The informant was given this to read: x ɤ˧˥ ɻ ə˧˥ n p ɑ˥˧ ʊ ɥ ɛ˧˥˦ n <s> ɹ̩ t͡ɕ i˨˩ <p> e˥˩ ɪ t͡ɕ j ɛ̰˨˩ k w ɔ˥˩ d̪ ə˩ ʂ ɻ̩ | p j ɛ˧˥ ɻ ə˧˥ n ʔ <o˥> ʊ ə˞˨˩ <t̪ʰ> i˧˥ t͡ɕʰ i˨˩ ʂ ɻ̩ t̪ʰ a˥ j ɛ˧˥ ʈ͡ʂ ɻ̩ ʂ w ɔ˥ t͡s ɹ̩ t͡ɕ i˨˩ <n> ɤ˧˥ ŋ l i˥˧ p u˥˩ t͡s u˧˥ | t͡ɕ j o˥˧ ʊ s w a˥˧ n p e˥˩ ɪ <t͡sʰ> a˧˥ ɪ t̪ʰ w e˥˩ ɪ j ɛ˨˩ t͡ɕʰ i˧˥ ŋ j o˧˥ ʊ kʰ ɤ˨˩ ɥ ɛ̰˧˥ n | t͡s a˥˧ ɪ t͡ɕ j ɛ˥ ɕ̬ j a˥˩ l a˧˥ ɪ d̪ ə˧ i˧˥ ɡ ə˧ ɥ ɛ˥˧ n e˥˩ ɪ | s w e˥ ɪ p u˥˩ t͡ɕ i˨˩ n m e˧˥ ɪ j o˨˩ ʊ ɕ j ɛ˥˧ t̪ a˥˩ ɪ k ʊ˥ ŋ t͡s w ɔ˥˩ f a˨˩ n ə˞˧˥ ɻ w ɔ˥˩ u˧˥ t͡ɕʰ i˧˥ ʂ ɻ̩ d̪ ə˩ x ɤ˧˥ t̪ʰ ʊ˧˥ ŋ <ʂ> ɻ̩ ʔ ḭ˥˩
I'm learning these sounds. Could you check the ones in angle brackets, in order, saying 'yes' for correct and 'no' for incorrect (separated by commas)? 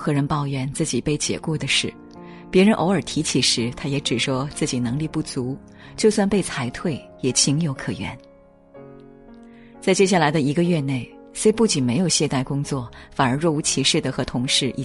no, yes, no, yes, yes, yes, yes